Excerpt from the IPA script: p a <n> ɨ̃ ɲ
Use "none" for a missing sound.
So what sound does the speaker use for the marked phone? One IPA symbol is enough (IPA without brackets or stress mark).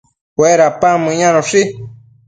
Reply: m